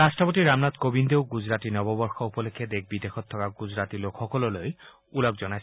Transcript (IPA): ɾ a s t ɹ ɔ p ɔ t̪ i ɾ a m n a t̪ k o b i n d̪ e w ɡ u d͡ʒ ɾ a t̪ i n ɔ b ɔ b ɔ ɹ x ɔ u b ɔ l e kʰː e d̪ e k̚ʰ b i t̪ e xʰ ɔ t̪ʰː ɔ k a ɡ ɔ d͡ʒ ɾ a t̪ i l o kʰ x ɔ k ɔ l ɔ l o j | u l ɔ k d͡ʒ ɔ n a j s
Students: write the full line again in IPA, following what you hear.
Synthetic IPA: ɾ a s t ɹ ɔ p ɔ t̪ i ɾ a m n a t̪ k o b i n d̪ e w ɡ u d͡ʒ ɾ a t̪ i n ɔ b ɔ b ɔ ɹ x ɔ u p ɔ l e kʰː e d̪ e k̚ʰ b i d̪ e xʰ ɔ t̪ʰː ɔ k a ɡ u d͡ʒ ɾ a t̪ i l o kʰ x ɔ k ɔ l ɔ l o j | u l ɔ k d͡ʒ ɔ n a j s